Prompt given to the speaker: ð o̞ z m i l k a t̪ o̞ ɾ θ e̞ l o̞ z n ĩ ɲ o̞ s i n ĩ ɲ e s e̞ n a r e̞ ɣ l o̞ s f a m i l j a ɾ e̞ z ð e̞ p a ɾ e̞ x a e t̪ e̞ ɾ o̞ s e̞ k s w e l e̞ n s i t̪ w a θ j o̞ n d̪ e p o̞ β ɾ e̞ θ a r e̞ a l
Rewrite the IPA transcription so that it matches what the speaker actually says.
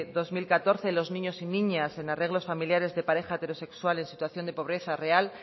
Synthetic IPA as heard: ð o̞ z m i l k a t̪ o̞ ɾ θ e̞ l o̞ z n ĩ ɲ o̞ s i n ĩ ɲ a s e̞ n a r e̞ ɣ l o̞ s f a m i l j a ɾ e̞ z ð e̞ p a ɾ e̞ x a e t̪ e̞ ɾ o̞ s e̞ k s w a l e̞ n s i t̪ w a θ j o̞ n d̪ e p o̞ β ɾ e̞ θ a r e̞ a l